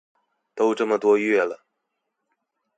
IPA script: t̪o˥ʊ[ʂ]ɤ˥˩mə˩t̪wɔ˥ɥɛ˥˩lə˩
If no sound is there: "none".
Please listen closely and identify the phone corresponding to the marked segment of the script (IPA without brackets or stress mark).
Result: ʈ͡ʂ